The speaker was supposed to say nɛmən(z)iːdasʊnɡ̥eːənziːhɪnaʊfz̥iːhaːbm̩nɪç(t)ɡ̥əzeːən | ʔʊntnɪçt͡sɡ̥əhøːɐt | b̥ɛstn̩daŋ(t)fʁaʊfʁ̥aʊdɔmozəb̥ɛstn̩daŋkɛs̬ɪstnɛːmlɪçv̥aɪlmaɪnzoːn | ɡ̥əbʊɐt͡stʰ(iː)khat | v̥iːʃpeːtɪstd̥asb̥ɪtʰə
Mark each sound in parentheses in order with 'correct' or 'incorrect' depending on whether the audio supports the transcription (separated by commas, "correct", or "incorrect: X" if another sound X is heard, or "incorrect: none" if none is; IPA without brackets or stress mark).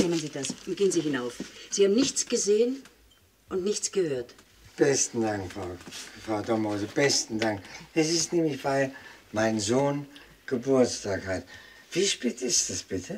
correct, incorrect: t͡s, incorrect: k, incorrect: aː